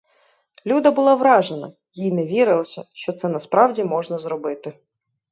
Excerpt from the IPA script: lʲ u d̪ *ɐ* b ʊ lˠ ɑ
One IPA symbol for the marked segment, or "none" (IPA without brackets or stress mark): ɐ